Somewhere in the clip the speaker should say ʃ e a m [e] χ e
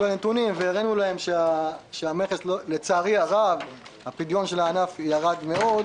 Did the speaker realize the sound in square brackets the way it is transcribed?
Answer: yes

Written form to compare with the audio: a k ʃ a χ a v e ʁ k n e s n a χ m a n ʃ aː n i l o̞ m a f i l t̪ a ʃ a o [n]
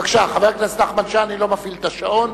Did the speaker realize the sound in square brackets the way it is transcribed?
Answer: yes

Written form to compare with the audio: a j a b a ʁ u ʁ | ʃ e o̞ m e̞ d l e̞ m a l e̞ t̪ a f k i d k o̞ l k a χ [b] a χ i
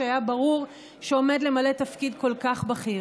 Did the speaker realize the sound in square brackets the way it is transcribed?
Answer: yes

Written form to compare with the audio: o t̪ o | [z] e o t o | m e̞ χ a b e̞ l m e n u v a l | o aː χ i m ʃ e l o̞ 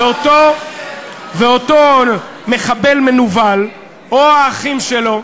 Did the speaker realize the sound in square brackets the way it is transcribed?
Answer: no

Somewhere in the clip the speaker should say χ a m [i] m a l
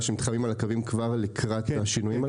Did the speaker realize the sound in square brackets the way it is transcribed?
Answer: yes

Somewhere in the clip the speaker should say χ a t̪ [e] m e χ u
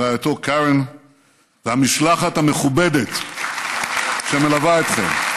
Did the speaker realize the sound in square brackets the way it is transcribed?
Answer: no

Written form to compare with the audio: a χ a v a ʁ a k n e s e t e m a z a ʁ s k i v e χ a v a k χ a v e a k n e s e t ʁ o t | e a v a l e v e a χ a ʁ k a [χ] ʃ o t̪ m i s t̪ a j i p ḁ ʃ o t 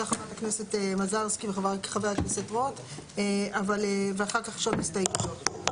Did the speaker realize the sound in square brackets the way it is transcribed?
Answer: yes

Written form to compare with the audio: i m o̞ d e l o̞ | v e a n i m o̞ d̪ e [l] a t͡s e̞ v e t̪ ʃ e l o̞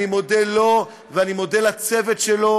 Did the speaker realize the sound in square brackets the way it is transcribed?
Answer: yes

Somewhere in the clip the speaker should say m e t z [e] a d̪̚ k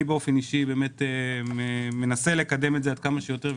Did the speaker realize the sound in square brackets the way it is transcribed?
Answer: yes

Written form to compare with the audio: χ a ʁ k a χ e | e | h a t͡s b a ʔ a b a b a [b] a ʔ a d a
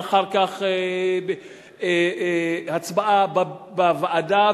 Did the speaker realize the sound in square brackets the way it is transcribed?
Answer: no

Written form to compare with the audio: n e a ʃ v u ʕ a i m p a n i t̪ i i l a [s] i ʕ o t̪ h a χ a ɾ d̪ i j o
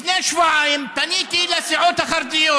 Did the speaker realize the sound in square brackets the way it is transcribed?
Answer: yes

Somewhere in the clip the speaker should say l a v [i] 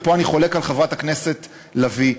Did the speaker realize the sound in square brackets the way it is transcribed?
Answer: yes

